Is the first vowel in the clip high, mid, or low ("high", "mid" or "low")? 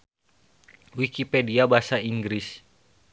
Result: high